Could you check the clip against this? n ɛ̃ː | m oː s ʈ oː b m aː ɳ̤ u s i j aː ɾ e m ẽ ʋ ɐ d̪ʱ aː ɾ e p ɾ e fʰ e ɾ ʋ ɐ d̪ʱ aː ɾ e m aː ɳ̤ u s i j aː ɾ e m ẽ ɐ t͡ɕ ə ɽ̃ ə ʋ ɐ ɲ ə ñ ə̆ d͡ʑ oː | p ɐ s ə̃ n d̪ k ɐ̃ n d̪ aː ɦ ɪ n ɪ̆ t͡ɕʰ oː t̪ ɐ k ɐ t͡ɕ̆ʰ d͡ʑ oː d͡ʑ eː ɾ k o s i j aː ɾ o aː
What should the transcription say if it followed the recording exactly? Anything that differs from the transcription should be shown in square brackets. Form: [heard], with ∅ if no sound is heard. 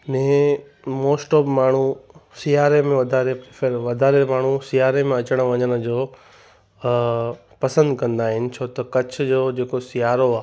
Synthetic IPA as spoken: n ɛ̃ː | m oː s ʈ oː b m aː ɳ̤ u s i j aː ɾ e m ẽ ʋ ɐ d̪ʱ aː ɾ e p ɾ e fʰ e ɾ ʋ ɐ d̪ʱ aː ɾ e m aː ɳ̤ u s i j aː ɾ e m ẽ ɐ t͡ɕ ə ɽ̃ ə ʋ ɐ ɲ ə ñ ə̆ d͡ʑ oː | p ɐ s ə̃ n d̪ k ɐ̃ n d̪ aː ɦ ɪ n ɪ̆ t͡ɕʰ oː t̪ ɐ k ɐ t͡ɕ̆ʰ d͡ʑ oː d͡ʑ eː [∅] k o s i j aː ɾ o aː